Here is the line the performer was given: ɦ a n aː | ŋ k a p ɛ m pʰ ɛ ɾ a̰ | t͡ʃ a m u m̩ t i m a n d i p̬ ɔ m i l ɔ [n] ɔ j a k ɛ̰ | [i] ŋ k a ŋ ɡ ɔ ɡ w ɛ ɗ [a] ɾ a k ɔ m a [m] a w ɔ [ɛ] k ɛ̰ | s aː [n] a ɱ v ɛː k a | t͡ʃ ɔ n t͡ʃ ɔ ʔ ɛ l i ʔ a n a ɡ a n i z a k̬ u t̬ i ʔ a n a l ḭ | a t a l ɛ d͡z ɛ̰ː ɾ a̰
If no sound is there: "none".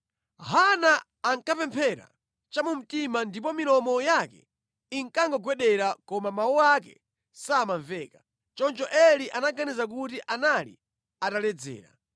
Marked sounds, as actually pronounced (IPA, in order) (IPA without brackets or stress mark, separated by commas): m, i, ɛ, m, a, m